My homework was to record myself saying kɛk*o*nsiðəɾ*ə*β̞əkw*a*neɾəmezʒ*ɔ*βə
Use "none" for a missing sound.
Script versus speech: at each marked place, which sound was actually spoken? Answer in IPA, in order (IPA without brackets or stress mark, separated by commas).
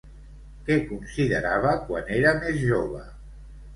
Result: u, a, a, o